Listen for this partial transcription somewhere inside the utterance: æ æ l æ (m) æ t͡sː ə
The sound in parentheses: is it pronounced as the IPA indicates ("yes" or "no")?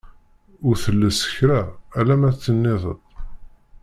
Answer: yes